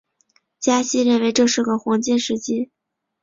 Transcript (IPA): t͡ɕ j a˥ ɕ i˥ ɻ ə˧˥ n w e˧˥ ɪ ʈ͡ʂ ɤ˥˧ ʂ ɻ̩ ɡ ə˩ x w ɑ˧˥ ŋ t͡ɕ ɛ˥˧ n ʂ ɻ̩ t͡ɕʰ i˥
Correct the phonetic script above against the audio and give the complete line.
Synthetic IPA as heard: t͡ɕ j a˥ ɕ i˥ ɻ ə˥˩ n w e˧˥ ɪ ʈ͡ʂ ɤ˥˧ ʂ ɻ̩ ɡ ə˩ x w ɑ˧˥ ŋ t͡ɕ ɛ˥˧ n ʂ ɻ̩ t͡ɕ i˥